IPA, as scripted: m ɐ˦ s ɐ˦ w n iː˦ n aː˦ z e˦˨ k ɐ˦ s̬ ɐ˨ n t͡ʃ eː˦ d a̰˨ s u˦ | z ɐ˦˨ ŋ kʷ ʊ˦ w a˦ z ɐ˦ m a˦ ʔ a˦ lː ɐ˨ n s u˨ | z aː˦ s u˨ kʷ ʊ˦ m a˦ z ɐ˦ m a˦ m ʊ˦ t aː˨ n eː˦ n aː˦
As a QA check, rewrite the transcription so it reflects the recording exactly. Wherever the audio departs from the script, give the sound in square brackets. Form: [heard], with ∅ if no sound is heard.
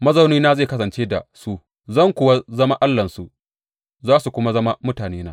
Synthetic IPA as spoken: m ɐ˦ [z] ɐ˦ w n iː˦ n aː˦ z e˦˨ k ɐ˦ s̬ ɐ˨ n t͡ʃ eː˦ d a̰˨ s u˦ | z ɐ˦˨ ŋ kʷ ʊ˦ w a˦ z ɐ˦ m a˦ ʔ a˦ lː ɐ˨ n s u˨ | z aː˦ s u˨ kʷ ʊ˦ m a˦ z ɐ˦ m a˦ m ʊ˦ t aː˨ n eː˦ n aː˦

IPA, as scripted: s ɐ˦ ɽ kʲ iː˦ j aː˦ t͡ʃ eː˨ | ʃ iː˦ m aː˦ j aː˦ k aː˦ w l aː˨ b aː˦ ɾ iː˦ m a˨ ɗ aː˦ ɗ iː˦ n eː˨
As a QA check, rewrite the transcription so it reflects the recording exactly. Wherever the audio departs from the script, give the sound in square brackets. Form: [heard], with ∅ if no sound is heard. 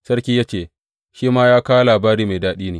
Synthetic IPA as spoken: s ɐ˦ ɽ kʲ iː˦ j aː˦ t͡ʃ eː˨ | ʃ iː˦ m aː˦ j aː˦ k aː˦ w l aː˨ b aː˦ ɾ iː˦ m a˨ [d] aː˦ ɗ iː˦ n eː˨

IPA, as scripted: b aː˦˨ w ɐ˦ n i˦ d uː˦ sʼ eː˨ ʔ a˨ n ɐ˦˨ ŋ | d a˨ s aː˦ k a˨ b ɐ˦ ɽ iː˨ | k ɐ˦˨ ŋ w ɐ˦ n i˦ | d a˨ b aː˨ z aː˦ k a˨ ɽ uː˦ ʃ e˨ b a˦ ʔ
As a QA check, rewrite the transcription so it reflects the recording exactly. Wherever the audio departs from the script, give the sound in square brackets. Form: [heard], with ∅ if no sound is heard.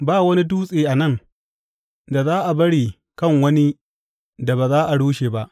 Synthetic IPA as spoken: b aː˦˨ w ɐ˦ n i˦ d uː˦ sʼ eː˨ ʔ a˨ n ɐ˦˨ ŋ | d a˨ [z] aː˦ [ʔ] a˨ b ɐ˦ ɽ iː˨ | k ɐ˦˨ ŋ w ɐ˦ n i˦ | d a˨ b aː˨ z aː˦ [ʔ] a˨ ɽ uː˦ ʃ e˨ b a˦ ʔ

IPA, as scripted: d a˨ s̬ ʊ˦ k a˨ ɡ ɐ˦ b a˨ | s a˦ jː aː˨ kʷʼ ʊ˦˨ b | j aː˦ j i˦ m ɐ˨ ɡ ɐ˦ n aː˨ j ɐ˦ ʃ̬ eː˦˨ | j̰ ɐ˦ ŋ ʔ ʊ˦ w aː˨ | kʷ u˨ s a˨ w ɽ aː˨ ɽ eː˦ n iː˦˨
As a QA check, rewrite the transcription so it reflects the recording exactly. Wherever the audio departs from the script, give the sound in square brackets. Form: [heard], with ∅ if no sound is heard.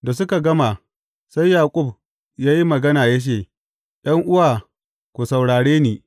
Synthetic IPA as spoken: d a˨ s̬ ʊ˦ k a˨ ɡ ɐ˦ [m] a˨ | s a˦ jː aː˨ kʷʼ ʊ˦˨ b | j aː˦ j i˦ m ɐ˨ ɡ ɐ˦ n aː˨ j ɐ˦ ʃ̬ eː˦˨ | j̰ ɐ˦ ŋ ʔ ʊ˦ w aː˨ | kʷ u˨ s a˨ w ɽ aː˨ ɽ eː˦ n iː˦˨

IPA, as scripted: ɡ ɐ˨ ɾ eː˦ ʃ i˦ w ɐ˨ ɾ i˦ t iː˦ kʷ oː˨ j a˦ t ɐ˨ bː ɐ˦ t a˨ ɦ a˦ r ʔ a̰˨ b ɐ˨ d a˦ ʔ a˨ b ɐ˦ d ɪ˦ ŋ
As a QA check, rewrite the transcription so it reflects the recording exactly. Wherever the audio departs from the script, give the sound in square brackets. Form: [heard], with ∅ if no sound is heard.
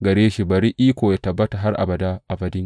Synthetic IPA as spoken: ɡ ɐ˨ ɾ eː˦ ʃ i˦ [b] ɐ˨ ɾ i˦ [ʔ] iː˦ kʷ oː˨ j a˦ t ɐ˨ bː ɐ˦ t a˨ ɦ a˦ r ʔ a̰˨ b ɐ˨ d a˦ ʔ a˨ b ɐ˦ d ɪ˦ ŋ

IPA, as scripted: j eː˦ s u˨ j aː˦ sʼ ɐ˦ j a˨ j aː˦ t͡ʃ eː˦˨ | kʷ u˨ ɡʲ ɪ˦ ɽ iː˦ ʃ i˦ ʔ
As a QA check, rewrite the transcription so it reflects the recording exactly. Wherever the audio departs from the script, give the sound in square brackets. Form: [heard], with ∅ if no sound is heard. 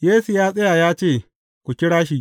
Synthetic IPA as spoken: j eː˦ s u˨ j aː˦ sʼ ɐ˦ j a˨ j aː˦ t͡ʃ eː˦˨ | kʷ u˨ [kʲ] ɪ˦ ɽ [aː˦] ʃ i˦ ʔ

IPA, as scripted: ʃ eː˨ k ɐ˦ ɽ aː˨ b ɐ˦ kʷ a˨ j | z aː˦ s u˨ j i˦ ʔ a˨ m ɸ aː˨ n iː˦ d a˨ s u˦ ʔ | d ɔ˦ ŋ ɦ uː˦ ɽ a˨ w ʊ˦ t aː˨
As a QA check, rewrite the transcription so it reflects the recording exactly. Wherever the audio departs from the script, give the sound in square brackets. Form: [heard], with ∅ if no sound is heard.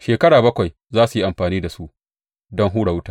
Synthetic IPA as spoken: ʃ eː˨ k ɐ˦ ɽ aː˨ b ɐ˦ kʷ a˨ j | z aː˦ s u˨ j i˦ ʔ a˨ m ɸ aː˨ n iː˦ d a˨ s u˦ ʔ | d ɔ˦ ŋ ɦ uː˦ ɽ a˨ w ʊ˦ t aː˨

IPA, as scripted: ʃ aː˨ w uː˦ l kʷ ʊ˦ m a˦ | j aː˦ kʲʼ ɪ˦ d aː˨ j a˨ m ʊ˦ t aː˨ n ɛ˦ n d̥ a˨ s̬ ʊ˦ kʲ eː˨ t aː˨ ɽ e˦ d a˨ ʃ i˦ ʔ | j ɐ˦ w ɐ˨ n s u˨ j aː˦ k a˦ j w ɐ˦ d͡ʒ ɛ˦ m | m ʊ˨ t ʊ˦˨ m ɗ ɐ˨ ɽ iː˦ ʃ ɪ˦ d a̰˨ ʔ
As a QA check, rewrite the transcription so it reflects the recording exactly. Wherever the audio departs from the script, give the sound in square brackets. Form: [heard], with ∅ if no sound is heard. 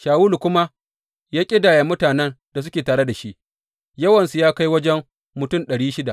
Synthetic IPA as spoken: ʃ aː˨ w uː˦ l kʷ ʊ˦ m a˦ | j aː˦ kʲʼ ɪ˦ d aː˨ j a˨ m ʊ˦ t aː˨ n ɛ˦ n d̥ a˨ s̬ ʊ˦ kʲ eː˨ t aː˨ ɽ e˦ d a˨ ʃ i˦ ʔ | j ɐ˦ w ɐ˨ n s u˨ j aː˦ k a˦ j w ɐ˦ d͡ʒ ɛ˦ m | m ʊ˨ t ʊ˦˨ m ɗ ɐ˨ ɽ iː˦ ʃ ɪ˦ d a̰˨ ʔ

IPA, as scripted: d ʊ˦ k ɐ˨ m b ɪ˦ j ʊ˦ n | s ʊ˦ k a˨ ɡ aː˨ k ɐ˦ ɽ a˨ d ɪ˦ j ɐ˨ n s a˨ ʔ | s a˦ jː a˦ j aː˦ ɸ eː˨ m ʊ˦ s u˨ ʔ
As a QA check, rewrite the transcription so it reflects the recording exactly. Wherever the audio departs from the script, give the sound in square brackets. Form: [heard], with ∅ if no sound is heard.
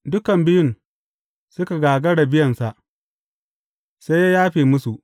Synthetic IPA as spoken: d ʊ˦ k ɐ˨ m b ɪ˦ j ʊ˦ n | s ʊ˦ k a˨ ɡ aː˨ [ɡ] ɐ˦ ɽ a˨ [b] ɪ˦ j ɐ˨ n s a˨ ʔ | s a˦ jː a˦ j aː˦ ɸ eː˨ m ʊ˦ s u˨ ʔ

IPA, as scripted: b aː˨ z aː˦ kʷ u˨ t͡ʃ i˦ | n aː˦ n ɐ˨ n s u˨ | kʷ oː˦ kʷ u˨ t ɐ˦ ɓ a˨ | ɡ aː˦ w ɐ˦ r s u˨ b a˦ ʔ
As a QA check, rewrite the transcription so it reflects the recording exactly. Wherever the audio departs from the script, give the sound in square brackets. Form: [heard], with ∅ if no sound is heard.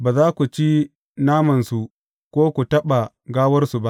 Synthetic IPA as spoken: b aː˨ z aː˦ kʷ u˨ t͡ʃ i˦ | n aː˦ [m] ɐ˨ n s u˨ | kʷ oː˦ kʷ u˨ t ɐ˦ ɓ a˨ | ɡ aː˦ w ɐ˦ r s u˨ b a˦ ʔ

